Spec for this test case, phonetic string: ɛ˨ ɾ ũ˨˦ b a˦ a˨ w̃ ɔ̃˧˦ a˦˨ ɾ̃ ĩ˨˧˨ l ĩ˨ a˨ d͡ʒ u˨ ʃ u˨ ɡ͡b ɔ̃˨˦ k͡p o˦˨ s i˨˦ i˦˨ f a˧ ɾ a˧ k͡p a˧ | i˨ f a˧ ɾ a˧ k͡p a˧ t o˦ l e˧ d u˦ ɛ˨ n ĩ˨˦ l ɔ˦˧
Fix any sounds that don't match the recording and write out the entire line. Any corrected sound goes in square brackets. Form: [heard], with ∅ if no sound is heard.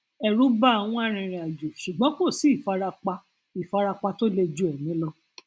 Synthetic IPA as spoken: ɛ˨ ɾ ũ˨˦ b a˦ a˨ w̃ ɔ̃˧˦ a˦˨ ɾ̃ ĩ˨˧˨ [ɾ] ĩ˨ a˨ d͡ʒ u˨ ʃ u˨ ɡ͡b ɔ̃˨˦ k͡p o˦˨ s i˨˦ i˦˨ f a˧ ɾ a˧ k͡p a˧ | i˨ f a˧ ɾ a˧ k͡p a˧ t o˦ l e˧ [d͡ʒ] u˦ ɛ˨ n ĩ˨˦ l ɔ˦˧